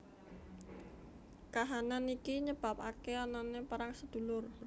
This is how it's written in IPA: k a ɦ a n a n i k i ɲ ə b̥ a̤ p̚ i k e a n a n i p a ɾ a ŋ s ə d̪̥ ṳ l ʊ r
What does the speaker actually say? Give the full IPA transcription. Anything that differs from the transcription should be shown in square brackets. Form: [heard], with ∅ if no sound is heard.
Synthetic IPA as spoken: k a ɦ a n a n i k i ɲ ə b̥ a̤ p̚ [a] k e a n a n [e] p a ɾ a ŋ s ə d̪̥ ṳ l ʊ r